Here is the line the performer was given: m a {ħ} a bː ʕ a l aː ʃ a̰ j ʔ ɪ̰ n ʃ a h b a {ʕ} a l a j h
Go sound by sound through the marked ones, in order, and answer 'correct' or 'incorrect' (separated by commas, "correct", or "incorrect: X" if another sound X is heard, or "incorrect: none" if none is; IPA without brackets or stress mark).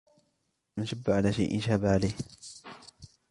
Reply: incorrect: ʃ, correct